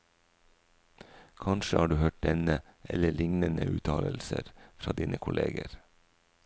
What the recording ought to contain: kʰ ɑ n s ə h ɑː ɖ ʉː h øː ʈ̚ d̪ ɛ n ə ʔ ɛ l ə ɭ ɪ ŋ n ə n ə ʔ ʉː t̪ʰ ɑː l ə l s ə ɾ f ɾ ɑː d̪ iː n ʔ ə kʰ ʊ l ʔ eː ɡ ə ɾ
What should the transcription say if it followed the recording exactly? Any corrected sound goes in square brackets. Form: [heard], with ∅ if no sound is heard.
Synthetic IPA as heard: kʰ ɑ n [ʃ] ə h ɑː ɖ ʉː h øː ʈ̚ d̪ ɛ n ə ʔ ɛ l ə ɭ ɪ ŋ n ə n ə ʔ ʉː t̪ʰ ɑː l ə l s ə ɾ f ɾ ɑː d̪ iː n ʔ ə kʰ ʊ l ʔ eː ɡ ə ɾ